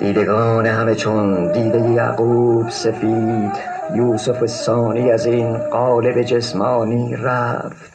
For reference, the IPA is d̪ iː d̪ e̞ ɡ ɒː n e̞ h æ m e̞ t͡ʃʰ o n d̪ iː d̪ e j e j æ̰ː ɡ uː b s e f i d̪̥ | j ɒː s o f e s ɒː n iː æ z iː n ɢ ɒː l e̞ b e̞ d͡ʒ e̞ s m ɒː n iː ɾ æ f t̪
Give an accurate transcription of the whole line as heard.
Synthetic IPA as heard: d̪ iː d̪ e̞ ɡ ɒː n e̞ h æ m e̞ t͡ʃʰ o n d̪ iː d̪ e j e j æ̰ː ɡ uː b s e f i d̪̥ | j uː s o f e s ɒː n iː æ z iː n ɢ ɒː l e̞ b e̞ d͡ʒ e̞ s m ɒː n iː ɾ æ f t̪